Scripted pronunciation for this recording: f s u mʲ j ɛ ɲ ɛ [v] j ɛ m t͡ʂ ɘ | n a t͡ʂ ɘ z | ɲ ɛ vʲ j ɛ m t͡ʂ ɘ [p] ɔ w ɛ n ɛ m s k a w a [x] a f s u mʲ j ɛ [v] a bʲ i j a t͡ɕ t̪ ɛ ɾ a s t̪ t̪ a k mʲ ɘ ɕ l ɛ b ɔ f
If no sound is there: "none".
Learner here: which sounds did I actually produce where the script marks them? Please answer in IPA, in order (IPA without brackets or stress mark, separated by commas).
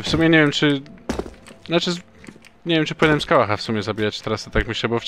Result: v, p, x, z